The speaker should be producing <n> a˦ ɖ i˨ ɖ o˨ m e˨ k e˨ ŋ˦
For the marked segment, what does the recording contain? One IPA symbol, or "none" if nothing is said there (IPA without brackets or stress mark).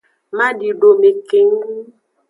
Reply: m